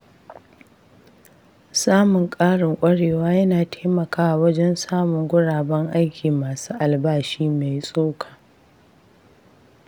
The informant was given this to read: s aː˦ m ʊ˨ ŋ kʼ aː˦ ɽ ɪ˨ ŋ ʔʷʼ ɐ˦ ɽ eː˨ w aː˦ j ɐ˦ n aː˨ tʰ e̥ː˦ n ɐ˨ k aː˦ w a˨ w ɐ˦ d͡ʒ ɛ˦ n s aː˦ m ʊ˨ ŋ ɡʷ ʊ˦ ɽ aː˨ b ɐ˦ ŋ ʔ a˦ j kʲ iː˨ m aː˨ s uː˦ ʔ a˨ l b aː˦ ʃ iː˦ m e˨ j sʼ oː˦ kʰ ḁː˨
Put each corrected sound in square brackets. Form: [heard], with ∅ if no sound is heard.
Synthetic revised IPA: s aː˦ m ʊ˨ ŋ kʼ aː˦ ɽ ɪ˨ ŋ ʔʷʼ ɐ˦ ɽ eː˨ w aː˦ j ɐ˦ n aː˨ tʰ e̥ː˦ [m] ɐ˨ k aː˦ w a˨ w ɐ˦ d͡ʒ ɛ˦ n s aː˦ m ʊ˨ ŋ ɡʷ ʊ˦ ɽ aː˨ b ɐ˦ ŋ ʔ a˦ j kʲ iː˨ m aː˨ s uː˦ ʔ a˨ l b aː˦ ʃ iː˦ m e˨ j sʼ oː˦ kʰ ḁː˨